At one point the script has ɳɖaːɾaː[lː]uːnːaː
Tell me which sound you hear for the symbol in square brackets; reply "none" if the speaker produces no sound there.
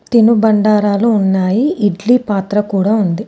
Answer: l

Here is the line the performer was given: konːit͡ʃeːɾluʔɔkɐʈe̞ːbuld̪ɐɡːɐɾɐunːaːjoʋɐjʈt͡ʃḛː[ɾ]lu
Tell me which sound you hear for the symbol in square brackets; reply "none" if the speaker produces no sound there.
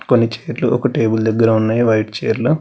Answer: ɾ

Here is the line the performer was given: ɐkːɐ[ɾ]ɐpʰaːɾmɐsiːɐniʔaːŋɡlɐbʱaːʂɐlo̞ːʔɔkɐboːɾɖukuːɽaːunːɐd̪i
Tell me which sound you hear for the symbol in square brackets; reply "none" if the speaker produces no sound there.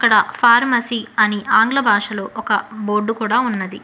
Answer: ɽ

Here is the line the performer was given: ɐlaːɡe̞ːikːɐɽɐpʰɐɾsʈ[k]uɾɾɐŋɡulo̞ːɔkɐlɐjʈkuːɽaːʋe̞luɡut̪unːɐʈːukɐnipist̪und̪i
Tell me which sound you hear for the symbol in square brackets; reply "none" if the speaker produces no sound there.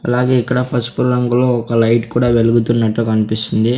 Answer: p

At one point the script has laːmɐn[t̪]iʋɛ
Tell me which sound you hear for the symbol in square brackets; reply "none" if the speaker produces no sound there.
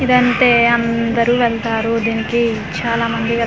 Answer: d̪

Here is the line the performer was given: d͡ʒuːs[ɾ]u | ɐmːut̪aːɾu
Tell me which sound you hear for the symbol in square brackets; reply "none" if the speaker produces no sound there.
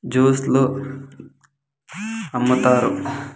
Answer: l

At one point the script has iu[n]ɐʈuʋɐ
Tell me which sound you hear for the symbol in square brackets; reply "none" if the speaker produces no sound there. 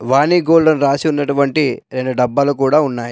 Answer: nː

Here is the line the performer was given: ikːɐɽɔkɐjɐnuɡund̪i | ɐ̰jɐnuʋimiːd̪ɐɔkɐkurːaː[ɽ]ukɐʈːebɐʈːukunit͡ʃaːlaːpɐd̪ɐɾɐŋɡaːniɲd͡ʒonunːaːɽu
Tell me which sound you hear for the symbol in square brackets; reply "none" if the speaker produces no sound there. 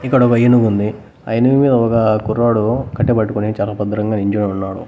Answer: ɽ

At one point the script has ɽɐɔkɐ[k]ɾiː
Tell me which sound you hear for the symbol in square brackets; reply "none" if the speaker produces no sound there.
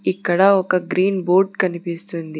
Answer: ɡ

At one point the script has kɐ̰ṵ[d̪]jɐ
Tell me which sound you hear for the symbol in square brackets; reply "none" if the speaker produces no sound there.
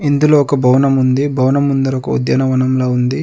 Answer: d̪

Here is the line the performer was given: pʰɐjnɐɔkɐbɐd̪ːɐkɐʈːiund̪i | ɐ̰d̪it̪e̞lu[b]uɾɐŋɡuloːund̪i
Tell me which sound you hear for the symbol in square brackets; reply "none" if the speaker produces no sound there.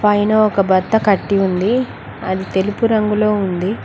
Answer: p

